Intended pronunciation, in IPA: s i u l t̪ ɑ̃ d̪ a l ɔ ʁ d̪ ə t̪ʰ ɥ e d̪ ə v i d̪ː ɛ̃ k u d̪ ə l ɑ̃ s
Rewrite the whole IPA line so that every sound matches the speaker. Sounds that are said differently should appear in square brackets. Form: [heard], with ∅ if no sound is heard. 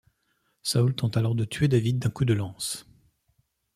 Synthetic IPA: s [a] u l t̪ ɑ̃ [t̪] a l ɔ ʁ d̪ ə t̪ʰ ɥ e d̪ [a] v i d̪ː ɛ̃ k u d̪ ə l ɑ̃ s